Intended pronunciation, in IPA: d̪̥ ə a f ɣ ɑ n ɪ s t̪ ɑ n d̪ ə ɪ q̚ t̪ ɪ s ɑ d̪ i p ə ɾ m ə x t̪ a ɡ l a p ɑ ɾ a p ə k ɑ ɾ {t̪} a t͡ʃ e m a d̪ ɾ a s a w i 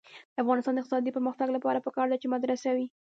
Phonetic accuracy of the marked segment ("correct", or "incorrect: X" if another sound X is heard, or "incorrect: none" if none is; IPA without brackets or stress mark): incorrect: d̪